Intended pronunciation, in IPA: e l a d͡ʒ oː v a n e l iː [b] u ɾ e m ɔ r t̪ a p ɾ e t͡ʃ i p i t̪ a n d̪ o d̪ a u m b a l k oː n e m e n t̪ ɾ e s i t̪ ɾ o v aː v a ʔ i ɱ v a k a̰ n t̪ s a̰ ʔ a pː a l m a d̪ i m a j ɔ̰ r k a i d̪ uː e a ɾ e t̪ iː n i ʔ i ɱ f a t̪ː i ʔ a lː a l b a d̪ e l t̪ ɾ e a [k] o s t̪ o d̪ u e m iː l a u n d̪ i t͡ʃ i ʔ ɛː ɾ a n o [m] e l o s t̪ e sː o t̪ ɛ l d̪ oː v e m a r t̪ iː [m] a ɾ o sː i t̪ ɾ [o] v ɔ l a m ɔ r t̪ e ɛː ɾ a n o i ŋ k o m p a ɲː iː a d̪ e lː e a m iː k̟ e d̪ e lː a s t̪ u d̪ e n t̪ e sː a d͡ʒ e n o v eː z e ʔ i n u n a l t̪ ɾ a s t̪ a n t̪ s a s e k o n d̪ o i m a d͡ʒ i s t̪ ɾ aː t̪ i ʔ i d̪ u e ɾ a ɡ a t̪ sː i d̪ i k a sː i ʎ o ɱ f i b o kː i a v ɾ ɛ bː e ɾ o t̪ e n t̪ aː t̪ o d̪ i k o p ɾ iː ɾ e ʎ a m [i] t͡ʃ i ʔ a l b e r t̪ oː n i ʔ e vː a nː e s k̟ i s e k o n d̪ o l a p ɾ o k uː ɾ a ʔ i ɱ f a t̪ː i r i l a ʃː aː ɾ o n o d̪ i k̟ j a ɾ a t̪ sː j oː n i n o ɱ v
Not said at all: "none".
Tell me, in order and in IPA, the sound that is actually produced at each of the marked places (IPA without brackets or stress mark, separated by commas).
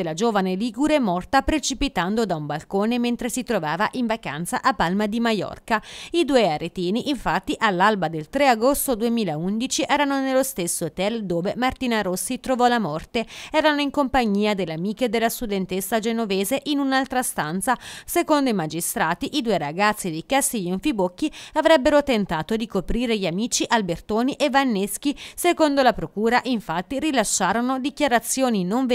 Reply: ɡ, ɡ, n, n, o, iː